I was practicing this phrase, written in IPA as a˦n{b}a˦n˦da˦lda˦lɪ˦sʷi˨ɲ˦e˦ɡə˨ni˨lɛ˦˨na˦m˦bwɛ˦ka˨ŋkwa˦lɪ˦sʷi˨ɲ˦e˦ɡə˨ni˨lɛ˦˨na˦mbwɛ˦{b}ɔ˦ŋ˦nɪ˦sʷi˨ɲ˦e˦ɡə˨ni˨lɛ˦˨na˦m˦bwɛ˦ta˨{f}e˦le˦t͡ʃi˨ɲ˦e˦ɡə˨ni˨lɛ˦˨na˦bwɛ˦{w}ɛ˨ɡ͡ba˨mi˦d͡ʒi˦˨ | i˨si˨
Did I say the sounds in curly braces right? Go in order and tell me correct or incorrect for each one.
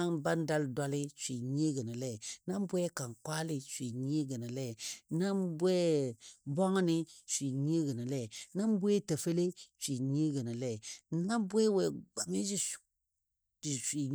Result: correct, correct, correct, correct

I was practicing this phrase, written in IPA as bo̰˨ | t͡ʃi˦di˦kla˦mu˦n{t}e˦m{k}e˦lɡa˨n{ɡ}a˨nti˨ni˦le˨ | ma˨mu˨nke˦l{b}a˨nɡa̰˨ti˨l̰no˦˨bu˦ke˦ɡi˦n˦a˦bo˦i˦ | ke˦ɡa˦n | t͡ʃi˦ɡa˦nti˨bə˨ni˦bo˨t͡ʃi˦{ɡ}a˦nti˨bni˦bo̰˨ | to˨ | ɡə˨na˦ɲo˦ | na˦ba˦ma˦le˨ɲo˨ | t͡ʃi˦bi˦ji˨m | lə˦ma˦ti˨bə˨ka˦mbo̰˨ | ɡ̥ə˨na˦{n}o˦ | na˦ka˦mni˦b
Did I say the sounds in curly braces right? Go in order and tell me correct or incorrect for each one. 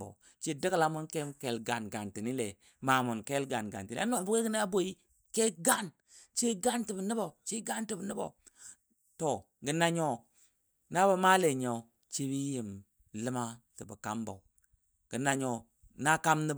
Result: incorrect: k, correct, correct, incorrect: ɡ, correct, incorrect: ɲ

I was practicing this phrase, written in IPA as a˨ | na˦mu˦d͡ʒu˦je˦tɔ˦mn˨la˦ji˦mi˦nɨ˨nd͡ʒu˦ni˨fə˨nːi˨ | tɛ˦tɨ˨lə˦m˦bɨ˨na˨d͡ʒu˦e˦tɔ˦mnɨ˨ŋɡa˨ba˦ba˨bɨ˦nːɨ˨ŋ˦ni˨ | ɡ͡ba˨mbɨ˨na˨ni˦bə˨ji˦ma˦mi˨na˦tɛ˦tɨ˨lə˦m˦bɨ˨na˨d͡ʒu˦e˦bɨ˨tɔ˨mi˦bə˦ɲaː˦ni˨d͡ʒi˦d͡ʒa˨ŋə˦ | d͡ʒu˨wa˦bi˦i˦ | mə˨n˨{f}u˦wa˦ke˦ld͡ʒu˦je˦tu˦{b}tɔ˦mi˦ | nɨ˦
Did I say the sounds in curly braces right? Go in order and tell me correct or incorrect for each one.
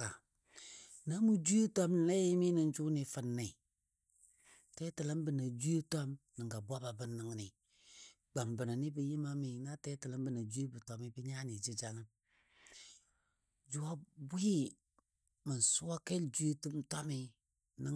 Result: incorrect: s, incorrect: m

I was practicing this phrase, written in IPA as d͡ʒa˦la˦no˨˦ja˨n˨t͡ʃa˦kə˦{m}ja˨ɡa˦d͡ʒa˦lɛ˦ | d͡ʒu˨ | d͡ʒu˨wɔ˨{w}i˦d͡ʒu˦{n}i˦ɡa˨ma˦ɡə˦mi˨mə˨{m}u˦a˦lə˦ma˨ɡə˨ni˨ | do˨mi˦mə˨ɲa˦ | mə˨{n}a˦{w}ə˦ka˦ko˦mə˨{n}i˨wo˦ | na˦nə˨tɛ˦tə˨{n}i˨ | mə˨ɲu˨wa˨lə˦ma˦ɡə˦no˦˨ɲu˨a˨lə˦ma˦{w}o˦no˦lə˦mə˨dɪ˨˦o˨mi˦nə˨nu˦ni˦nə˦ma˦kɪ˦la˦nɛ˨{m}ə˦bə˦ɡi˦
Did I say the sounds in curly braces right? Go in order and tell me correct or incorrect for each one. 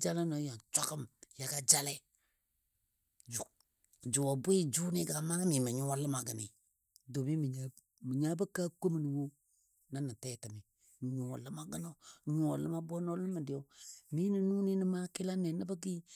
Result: correct, incorrect: b, correct, incorrect: ɲ, incorrect: ɲ, incorrect: b, correct, incorrect: m, incorrect: b, incorrect: n

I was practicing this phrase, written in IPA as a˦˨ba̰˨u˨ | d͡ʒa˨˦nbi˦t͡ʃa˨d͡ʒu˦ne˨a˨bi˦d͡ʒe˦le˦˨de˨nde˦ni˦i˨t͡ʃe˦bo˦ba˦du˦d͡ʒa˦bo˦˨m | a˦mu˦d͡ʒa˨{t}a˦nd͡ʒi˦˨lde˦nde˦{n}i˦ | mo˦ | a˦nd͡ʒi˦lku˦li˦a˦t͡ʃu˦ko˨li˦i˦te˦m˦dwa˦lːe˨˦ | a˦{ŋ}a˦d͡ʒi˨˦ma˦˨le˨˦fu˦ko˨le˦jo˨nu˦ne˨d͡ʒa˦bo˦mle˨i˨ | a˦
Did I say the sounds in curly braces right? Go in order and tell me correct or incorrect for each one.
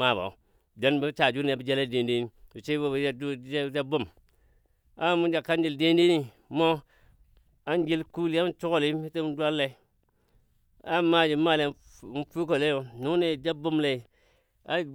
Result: incorrect: k, correct, incorrect: m

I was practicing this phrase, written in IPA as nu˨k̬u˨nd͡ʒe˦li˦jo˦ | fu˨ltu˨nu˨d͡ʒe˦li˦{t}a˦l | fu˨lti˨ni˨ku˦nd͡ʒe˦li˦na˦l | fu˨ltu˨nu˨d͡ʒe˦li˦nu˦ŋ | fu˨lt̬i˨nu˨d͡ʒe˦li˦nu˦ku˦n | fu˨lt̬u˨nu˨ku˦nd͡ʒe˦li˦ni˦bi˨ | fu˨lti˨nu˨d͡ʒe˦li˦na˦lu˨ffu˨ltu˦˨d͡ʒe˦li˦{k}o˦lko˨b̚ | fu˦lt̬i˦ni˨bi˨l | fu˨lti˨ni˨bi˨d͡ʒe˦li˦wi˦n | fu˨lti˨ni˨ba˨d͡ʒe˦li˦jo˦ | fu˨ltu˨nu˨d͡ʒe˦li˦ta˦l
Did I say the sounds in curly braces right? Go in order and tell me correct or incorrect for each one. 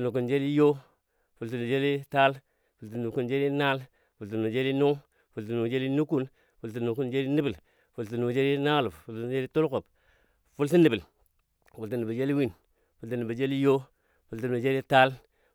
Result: correct, incorrect: t

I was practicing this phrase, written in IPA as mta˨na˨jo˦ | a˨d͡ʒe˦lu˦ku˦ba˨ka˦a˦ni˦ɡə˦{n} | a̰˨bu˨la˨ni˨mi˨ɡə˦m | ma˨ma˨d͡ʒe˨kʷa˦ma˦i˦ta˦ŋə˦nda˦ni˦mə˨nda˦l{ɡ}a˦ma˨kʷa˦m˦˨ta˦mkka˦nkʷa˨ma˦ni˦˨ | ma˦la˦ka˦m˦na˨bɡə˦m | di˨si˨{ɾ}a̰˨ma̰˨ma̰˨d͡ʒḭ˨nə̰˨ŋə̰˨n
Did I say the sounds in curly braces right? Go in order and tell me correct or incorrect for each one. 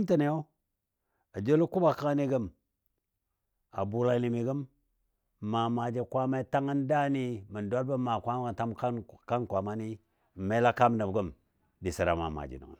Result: incorrect: m, incorrect: b, correct

